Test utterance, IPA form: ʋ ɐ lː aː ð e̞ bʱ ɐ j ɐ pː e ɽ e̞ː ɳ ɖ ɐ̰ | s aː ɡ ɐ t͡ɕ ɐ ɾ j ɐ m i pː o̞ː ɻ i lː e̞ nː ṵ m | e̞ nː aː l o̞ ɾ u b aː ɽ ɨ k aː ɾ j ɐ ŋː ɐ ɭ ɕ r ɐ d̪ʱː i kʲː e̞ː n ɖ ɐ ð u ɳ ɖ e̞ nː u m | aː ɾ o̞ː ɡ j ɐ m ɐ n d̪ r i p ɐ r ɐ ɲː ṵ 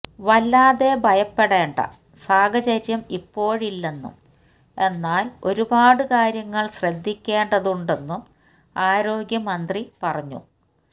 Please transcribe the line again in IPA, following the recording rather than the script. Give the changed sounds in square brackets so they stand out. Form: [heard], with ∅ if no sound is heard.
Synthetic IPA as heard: ʋ ɐ lː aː ð e̞ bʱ ɐ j ɐ pː e ɽ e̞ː ɳ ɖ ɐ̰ | s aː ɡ ɐ t͡ɕ ɐ ɾ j ɐ m i pː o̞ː ɻ i lː e̞ nː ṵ m | e̞ nː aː l o̞ ɾ u b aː ɽ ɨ k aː ɾ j ɐ ŋː ɐ ɭ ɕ r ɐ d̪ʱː i kʲː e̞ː [ɳ] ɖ ɐ ð u ɳ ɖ e̞ nː u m | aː ɾ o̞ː ɡ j ɐ m ɐ n d̪ r i p ɐ r ɐ ɲː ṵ